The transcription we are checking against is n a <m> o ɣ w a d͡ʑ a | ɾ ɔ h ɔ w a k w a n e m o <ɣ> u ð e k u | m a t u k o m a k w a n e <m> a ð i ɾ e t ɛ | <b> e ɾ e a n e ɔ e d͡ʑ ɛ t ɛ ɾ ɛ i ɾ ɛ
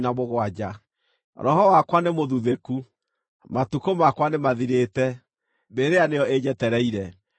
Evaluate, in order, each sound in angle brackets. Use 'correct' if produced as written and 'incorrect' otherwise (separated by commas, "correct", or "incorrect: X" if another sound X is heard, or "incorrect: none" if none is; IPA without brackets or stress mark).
correct, incorrect: ð, correct, correct